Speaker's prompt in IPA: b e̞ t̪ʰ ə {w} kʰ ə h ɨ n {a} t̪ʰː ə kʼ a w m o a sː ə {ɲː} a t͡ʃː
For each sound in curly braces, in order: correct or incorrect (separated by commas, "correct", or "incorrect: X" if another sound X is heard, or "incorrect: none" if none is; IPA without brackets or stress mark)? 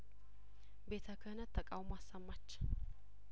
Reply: incorrect: none, incorrect: ə, incorrect: mː